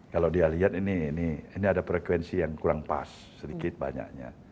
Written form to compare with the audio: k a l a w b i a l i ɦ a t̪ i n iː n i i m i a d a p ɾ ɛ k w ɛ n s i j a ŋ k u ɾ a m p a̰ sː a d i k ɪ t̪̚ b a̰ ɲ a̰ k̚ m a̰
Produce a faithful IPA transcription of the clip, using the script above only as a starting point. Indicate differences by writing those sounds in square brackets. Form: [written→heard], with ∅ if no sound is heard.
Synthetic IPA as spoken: k a l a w [b→d] i a l i ɦ a t̪ i n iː n i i [m→n] i a d a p ɾ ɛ k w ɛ n s i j a ŋ k u ɾ a [m→ŋ] p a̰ sː [a→ə] d i k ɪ t̪̚ b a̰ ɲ a̰ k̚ [m→ɲ] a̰